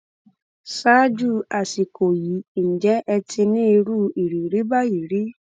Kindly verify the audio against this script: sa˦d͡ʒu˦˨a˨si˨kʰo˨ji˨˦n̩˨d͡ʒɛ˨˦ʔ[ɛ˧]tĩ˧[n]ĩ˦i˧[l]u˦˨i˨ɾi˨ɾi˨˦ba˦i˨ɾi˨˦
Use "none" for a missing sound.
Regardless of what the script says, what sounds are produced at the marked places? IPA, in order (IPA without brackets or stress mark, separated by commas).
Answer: ɛ˧, n, ɾ